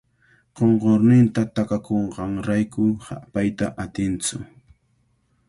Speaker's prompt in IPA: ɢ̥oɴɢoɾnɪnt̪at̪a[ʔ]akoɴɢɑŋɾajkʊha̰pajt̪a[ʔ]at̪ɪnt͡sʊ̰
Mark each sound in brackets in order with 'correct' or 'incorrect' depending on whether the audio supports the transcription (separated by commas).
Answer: incorrect, correct